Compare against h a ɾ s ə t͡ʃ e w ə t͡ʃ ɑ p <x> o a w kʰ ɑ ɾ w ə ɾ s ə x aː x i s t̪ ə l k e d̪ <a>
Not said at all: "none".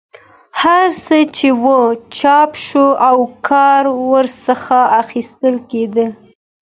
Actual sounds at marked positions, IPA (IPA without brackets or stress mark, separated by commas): ʃ, ə